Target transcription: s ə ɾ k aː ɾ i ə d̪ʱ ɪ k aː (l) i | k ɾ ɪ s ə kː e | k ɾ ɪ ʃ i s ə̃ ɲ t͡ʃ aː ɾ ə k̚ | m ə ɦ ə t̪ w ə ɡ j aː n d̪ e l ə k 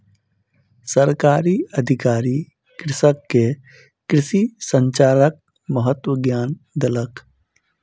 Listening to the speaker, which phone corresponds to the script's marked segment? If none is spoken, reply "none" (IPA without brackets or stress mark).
ɾ